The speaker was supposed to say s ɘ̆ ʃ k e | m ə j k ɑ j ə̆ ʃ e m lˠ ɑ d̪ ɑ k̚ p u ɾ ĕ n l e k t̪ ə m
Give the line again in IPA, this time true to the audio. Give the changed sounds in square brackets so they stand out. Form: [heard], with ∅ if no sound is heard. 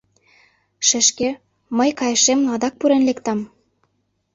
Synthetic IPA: [ʃ] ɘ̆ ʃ k e | m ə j k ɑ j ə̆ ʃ e m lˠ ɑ d̪ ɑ k̚ p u ɾ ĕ n l e k t̪ [ɑ] m